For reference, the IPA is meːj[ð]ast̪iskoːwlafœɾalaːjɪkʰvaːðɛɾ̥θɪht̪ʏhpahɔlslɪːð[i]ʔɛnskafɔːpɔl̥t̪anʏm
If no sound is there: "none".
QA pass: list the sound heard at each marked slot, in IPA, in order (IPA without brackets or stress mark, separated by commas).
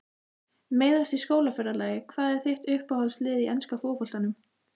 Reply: ð, i